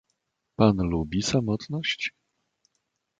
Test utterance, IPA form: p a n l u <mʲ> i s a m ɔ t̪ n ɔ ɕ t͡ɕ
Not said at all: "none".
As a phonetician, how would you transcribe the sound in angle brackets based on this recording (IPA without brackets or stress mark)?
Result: bʲ